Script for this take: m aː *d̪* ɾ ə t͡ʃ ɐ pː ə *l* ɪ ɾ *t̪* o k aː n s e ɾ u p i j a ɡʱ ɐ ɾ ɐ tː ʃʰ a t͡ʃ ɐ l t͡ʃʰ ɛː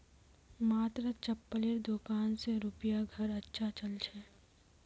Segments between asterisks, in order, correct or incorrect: incorrect, correct, incorrect

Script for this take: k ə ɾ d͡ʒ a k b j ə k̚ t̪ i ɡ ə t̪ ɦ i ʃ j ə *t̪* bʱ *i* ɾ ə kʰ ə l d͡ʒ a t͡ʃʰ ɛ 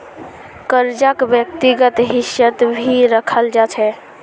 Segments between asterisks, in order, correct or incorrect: correct, correct

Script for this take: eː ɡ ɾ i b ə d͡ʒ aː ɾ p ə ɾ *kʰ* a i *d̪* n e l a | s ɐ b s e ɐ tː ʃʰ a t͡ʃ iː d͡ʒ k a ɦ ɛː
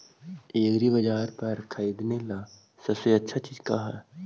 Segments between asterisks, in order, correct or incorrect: correct, correct

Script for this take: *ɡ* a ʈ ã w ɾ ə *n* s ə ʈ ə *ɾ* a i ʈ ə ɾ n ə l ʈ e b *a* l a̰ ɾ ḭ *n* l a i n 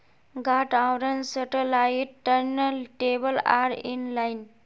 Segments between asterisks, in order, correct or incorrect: correct, correct, incorrect, incorrect, correct

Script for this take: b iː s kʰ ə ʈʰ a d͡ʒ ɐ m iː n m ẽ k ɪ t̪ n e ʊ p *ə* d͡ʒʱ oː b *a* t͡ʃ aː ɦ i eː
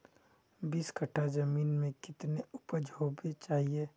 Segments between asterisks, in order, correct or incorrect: correct, incorrect

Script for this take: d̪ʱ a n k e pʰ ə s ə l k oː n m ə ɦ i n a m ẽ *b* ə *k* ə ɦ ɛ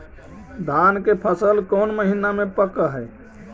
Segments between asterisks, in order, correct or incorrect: incorrect, correct

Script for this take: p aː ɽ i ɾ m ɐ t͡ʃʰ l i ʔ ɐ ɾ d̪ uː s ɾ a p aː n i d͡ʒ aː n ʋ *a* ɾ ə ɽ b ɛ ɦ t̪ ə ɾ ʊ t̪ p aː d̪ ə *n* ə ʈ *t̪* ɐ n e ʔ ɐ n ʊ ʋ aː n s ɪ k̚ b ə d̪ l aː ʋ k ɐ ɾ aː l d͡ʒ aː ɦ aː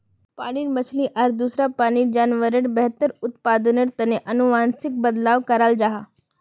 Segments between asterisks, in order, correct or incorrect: incorrect, correct, correct

